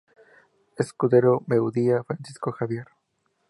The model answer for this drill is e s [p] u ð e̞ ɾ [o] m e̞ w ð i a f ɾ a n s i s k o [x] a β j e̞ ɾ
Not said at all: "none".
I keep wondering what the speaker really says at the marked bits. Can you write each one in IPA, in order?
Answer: k, o, x

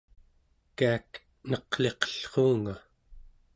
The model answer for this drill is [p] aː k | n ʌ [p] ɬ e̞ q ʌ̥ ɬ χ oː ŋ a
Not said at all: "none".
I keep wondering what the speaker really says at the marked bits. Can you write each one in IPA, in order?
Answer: k, q

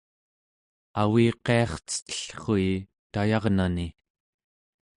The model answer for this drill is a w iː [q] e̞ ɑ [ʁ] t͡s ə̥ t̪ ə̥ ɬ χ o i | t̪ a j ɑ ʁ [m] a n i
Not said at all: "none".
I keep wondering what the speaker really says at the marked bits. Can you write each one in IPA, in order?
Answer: q, χ, n

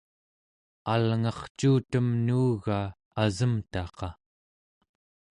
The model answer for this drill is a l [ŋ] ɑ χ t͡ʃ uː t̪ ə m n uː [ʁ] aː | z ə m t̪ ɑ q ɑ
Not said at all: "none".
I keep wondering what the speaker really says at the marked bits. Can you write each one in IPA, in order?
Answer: ŋ, ɣ

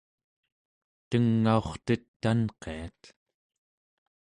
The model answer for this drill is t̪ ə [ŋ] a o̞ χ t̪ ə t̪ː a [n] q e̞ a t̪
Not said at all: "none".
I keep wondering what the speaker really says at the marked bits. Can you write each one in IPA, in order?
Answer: ŋː, n

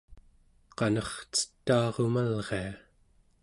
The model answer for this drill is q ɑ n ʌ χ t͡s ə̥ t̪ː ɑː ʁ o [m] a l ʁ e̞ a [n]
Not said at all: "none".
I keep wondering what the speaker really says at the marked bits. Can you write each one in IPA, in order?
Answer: m, none

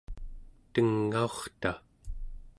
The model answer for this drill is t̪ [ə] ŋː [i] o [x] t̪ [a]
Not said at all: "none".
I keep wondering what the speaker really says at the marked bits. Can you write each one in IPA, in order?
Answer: ə, a, χ, a

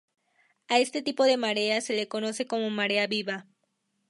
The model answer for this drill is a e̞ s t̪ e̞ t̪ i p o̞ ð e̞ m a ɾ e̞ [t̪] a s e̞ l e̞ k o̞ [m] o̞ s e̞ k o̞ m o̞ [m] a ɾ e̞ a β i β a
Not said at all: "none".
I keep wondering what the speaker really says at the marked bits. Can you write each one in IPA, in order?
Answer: none, n, m

